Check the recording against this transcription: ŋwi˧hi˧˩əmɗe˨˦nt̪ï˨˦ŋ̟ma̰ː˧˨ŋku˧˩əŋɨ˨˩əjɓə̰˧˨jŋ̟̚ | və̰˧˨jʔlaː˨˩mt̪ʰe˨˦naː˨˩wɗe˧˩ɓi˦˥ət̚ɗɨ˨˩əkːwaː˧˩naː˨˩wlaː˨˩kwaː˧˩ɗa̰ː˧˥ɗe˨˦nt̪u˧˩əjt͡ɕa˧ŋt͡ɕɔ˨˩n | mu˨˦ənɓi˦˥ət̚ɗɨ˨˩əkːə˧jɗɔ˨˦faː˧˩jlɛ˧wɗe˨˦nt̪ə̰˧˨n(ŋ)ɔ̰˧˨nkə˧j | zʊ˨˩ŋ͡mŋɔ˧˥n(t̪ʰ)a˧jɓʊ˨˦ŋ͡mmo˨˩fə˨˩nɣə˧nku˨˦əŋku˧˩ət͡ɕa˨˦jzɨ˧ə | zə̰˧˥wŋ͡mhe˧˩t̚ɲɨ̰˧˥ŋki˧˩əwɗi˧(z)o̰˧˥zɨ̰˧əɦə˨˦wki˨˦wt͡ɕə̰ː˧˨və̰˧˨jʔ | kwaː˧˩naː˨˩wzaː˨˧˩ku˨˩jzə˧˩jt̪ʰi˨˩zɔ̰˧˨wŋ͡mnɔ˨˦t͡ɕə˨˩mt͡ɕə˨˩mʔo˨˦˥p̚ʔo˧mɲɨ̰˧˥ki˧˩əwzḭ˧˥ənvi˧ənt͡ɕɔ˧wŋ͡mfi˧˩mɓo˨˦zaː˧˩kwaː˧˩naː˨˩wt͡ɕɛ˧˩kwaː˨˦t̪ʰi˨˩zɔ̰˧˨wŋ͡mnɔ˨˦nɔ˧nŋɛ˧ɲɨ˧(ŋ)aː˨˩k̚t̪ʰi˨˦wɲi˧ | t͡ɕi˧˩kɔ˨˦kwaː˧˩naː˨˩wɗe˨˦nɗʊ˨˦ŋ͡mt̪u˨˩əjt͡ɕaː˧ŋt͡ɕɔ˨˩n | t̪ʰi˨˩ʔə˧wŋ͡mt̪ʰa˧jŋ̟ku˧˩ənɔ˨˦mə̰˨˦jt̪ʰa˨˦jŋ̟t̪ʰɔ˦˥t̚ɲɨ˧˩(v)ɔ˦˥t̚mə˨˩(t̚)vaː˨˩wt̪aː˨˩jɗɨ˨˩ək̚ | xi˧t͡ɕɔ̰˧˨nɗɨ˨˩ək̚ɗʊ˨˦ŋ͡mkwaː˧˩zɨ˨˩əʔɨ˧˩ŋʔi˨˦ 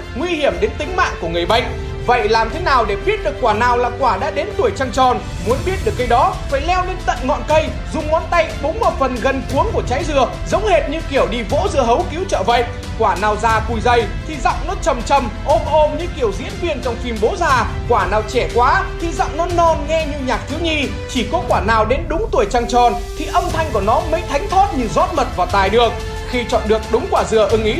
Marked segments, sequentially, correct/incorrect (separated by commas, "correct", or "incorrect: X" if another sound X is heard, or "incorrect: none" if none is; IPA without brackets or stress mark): correct, incorrect: t̪, incorrect: v, incorrect: ɲ, incorrect: z, correct